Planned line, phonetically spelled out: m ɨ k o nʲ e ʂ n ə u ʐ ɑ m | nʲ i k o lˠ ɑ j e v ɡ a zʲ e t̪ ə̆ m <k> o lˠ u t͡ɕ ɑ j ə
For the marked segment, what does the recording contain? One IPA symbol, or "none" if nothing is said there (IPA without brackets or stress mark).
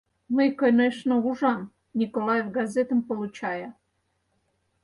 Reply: p